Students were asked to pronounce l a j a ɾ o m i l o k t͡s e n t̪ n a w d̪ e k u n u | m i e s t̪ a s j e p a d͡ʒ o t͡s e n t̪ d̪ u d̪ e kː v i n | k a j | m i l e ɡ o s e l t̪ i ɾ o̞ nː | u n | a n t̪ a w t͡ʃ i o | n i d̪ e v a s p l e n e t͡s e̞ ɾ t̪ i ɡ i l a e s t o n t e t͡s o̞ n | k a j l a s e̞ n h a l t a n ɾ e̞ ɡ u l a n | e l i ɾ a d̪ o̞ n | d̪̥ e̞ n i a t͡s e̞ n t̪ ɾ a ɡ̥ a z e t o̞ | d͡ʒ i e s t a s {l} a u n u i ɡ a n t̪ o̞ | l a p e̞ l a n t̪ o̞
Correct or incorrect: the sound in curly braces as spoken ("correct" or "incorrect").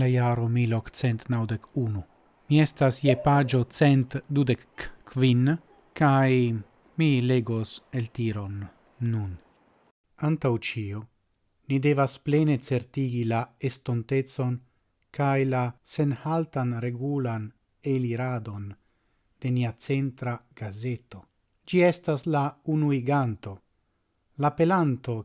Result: correct